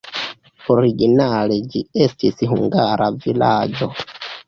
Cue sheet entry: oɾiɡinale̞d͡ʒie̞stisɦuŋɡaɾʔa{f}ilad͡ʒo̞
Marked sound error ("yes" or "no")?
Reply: yes